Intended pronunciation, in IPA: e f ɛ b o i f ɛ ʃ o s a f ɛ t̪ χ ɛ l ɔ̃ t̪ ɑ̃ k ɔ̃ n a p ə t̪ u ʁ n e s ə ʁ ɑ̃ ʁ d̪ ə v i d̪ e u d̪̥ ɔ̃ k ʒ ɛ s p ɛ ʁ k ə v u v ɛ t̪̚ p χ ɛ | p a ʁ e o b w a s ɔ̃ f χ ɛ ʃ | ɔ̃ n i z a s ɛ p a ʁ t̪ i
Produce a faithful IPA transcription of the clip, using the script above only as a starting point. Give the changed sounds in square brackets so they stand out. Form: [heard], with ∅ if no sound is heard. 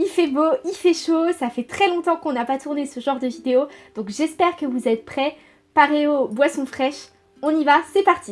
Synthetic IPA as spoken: [i] f ɛ b o i f ɛ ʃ o s a f ɛ t̪ χ ɛ l ɔ̃ t̪ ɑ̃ k ɔ̃ n a p [a] t̪ u ʁ n e s ə [ʒ] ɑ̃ ʁ d̪ ə v i d̪ e [o] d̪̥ ɔ̃ k ʒ ɛ s p ɛ ʁ k ə v u [z] ɛ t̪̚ p χ ɛ | p a ʁ e o b w a s ɔ̃ f χ ɛ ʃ | ɔ̃ n i [v] a s ɛ p a ʁ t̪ i